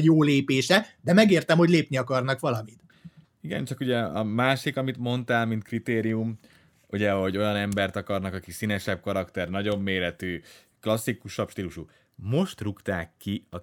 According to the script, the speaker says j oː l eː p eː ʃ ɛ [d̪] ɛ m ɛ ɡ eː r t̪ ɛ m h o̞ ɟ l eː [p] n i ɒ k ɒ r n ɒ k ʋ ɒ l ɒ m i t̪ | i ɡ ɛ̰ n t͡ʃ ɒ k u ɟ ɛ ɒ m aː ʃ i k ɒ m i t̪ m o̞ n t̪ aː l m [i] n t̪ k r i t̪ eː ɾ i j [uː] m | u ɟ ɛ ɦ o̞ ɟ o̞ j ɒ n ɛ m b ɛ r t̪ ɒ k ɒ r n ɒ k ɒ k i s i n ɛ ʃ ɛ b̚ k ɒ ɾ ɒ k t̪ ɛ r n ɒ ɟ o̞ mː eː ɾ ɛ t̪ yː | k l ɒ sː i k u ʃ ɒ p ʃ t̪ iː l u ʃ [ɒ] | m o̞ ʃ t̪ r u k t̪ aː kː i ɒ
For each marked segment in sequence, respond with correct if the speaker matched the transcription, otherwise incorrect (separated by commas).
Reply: correct, correct, correct, incorrect, incorrect